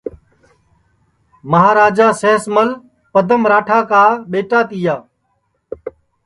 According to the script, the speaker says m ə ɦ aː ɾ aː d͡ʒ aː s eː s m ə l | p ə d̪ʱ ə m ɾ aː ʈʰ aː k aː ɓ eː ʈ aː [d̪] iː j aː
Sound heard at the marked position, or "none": t̪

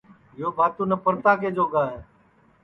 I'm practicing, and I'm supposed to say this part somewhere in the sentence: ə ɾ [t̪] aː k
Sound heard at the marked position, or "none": t̪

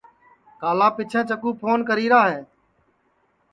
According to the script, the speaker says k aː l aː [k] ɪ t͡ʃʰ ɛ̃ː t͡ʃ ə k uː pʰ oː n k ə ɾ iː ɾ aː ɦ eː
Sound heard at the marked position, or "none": p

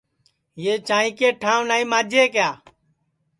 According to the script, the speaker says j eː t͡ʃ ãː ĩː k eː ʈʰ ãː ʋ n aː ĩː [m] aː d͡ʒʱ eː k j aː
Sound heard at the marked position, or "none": m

